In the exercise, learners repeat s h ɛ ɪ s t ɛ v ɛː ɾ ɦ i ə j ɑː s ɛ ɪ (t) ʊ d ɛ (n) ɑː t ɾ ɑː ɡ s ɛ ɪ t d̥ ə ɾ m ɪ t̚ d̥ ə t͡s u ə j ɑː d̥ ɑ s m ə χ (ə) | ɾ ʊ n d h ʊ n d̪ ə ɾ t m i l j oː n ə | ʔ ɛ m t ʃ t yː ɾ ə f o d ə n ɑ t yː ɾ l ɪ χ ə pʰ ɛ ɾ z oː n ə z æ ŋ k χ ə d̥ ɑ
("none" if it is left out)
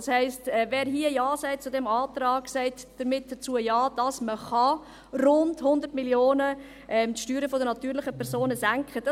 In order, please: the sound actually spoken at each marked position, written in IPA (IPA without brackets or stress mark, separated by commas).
t͡s, m, ɑ